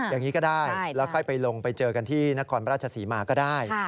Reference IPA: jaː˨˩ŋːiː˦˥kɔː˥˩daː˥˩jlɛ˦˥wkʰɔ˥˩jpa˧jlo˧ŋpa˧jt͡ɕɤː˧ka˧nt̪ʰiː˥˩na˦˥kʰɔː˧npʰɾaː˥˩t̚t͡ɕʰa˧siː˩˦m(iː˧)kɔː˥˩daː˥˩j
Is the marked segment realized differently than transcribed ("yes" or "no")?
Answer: yes